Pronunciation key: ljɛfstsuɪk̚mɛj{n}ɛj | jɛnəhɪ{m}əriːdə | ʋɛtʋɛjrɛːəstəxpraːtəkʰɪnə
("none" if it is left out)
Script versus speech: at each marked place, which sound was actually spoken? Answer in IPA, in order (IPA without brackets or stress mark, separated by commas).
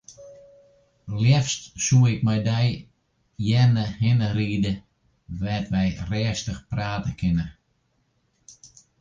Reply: d, n